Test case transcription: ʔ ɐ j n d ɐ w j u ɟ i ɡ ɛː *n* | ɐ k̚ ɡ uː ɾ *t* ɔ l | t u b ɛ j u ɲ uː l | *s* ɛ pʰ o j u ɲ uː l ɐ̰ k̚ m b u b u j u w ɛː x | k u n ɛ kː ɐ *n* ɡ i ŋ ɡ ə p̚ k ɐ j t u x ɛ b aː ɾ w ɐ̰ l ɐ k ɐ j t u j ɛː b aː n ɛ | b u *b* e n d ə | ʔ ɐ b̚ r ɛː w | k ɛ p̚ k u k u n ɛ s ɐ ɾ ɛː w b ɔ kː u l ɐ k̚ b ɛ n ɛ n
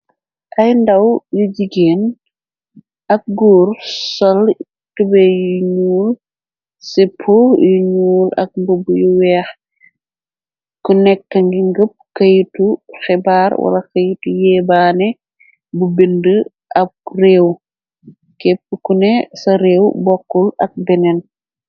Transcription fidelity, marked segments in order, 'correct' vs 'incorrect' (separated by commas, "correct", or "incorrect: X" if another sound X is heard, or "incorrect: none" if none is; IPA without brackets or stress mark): correct, incorrect: s, correct, incorrect: ŋ, correct